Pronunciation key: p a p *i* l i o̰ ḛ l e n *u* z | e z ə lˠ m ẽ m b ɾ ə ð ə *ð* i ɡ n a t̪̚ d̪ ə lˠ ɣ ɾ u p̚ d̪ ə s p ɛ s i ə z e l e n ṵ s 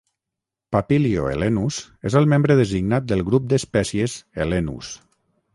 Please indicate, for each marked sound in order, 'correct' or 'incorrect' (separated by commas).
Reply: correct, correct, incorrect